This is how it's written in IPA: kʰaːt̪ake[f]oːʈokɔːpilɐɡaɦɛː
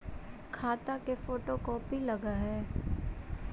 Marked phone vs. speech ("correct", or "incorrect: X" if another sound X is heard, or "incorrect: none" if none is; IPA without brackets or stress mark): correct